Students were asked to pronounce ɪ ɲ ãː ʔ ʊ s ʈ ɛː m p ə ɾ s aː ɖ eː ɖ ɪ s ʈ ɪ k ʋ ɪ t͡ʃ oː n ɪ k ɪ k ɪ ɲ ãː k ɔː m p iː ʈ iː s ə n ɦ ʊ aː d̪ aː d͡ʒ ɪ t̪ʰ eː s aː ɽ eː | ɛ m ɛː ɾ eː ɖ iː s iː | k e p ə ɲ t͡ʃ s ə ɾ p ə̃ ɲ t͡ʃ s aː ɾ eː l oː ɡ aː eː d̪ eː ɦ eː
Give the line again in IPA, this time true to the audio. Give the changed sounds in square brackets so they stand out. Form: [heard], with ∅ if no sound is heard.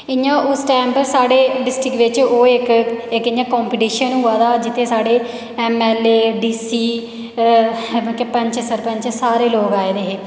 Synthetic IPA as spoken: ɪ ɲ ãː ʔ ʊ s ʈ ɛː m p ə ɾ s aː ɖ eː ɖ ɪ s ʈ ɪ k ʋ ɪ t͡ʃ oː [∅] ɪ k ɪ k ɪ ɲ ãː k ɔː m p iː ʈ iː [ʃ] ə n ɦ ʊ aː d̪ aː d͡ʒ ɪ t̪ʰ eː s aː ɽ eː | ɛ m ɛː [l] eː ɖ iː s iː | k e p ə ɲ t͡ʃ s ə ɾ p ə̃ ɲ t͡ʃ s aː ɾ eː l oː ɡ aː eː d̪ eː ɦ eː